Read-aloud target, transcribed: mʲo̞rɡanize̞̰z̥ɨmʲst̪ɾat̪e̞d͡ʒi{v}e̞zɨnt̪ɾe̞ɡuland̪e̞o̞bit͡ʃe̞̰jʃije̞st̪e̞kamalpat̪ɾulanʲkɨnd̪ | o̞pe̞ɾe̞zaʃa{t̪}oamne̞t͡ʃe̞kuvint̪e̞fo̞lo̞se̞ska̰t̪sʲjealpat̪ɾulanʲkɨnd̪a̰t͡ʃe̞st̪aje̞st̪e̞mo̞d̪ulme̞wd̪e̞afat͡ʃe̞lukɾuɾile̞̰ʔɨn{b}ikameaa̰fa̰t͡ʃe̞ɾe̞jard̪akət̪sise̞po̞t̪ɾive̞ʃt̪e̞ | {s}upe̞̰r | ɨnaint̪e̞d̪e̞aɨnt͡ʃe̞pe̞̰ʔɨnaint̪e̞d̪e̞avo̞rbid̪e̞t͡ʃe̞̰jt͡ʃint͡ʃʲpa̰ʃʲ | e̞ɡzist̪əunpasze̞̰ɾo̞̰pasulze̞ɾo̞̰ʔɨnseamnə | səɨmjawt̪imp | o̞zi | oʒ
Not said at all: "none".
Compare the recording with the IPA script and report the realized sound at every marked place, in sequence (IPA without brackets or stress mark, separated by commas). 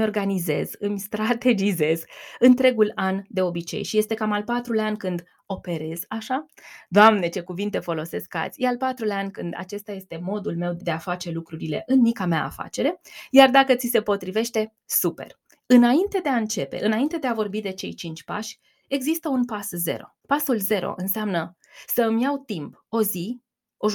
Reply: z, d̪, m, s